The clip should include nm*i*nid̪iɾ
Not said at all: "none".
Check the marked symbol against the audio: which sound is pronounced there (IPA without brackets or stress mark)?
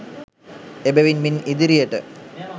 i